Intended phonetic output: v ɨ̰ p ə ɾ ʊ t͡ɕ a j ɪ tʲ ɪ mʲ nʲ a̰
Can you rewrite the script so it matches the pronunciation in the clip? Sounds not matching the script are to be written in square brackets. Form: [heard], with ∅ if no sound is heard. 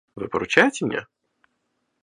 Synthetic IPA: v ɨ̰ p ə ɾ ʊ t͡ɕ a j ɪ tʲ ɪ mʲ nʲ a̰